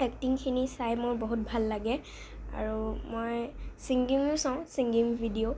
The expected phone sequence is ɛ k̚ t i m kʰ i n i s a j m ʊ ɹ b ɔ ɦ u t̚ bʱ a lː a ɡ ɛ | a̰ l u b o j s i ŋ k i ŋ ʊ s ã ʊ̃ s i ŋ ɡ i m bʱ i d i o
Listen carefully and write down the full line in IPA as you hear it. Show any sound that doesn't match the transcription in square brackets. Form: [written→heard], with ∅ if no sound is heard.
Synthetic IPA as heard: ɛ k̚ t i [m→ŋ] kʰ i n i s a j m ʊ ɹ b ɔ ɦ u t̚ bʱ a lː a ɡ ɛ | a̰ [l→ɹ] u [b→m] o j s i ŋ [k→ɡ] i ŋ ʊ s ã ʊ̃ s i ŋ ɡ i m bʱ i d i o